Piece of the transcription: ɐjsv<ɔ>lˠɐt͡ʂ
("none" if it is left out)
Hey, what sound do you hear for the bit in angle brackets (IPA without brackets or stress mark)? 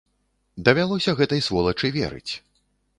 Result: ɔ